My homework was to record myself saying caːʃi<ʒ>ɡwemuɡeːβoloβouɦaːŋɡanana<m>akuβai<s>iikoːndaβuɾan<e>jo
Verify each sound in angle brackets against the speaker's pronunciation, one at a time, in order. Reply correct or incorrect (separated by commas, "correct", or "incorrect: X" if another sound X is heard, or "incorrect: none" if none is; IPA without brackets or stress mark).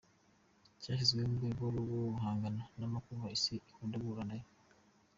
incorrect: z, correct, correct, incorrect: a